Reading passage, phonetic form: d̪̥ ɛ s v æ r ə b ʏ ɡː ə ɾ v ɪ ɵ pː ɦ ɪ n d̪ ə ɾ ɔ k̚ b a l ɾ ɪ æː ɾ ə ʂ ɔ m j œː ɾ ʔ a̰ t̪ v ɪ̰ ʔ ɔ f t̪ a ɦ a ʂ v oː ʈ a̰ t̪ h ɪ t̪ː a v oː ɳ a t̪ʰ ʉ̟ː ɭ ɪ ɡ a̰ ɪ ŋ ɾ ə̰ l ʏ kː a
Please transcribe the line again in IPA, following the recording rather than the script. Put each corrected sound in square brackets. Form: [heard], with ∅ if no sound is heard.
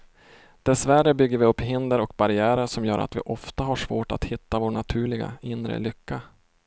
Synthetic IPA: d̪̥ ɛ s v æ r ə b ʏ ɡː ə ɾ v ɪ ɵ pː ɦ ɪ n d̪ ə ɾ ɔ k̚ b a [∅] ɾ ɪ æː ɾ ə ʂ ɔ m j œː ɾ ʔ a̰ t̪ v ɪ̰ ʔ ɔ f t̪ a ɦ a ʂ v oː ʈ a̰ t̪ h ɪ t̪ː a v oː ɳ a t̪ʰ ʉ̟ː ɭ ɪ ɡ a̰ ɪ [n] ɾ ə̰ l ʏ kː a